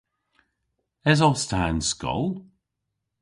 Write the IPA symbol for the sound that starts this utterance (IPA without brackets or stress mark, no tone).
ɛ